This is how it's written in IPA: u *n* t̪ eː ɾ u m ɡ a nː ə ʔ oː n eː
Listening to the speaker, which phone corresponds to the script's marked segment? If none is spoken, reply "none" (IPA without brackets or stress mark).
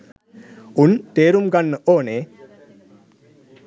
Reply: n